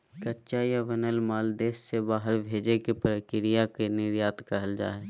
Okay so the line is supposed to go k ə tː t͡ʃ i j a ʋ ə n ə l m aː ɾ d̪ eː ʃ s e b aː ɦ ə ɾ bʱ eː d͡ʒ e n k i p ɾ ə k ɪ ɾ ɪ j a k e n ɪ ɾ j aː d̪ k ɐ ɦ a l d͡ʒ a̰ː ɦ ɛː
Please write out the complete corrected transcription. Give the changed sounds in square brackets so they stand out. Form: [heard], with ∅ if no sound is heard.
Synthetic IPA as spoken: k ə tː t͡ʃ [a] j a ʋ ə n ə l m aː [l] d̪ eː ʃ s e b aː ɦ ə ɾ bʱ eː d͡ʒ e [∅] k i p ɾ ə k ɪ ɾ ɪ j a k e n ɪ ɾ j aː [t̪] k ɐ ɦ [ə] l d͡ʒ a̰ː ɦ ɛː

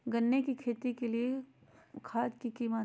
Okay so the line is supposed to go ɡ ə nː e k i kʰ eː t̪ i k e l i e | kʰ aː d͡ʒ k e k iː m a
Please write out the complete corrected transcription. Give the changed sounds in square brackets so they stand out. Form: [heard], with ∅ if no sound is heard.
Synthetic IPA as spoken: ɡ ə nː e k i kʰ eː t̪ i k e l i e | kʰ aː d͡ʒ k [i] k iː m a

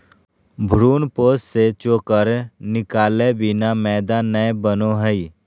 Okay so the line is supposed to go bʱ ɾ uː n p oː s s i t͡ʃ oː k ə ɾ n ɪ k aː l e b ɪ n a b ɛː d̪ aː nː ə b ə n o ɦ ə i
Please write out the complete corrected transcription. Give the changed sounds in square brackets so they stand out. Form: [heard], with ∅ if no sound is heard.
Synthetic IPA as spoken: bʱ ɾ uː n p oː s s [e] t͡ʃ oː k ə ɾ n ɪ k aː l e b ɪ n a [m] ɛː d̪ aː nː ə b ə n o ɦ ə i

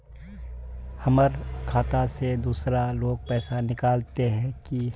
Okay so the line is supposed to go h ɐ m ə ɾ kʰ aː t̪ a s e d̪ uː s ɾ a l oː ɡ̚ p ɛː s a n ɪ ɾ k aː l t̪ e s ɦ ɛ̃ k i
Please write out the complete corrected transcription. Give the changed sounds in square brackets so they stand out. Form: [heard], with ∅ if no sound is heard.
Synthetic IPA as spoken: h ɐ m ə ɾ kʰ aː t̪ a s e d̪ uː s ɾ a l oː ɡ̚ p ɛː s a n ɪ [∅] k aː l t̪ e [∅] ɦ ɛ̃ k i

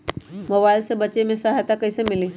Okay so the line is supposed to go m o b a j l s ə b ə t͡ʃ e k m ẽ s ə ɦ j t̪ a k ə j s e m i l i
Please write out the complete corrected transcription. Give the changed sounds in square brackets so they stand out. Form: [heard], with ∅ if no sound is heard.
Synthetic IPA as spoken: m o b a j l s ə b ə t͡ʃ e [∅] m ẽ s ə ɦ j t̪ a k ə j s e m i l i

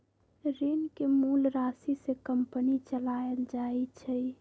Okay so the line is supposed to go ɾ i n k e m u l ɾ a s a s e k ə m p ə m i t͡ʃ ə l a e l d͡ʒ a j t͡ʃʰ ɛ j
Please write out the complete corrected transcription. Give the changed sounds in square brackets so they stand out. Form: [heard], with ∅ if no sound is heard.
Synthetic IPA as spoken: ɾ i n k e m u l ɾ a s [i] s e k ə m p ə [n] i t͡ʃ ə l a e l d͡ʒ a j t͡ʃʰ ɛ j

